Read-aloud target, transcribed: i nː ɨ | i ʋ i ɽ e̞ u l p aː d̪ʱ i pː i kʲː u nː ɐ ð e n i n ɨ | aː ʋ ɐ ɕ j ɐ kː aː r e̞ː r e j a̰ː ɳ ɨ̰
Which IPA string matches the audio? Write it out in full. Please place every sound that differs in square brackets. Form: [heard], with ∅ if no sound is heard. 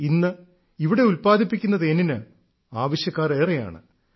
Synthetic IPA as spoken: i nː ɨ | i ʋ i ɽ e̞ u l p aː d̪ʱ i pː i kʲː u nː ɐ ð e n i n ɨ | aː ʋ ɐ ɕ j ɐ kː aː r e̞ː r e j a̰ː ɳ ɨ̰